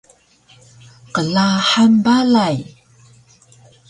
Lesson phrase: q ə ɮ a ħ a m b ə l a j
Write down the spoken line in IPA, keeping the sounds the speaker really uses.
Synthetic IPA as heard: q ə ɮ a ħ a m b a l a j